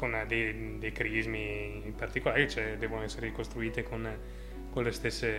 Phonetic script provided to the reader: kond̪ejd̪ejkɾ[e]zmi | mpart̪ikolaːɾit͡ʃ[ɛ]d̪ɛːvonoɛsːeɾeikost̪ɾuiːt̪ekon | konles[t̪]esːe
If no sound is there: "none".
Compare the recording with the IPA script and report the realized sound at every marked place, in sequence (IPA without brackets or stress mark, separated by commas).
i, ɛ, t̪